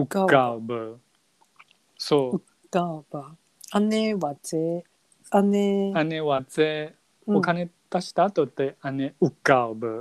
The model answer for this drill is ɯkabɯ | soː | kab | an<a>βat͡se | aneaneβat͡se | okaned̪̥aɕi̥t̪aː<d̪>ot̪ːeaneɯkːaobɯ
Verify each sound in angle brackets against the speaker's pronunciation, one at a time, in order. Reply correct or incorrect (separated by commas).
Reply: incorrect, incorrect